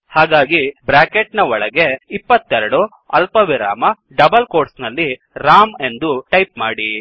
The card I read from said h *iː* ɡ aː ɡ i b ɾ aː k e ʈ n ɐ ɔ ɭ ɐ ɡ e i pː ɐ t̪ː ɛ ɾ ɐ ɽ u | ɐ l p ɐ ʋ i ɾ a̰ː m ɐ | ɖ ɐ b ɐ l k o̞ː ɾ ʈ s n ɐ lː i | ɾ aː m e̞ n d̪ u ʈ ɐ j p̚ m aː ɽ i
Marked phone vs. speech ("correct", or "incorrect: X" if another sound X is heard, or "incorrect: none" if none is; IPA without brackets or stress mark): incorrect: aː